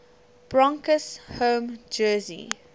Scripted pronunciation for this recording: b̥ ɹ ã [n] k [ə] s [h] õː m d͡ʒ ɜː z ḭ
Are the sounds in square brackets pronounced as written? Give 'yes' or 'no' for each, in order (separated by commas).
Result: no, yes, yes